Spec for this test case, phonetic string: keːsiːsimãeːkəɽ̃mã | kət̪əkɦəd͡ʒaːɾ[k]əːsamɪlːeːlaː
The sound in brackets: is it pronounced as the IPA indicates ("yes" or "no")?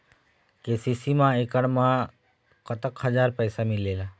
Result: no